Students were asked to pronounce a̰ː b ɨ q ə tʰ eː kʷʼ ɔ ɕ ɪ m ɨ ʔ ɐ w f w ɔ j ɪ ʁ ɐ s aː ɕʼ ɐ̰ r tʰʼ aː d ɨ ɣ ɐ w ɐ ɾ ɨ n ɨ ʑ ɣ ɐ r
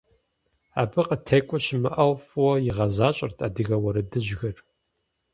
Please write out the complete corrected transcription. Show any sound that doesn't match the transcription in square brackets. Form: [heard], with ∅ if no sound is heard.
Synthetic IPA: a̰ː b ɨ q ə tʰ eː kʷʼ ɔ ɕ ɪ m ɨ ʔ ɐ w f w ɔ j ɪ ʁ ɐ [z] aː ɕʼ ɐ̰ r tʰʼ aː d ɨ ɣ ɐ w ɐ ɾ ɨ [d] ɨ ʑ ɣ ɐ r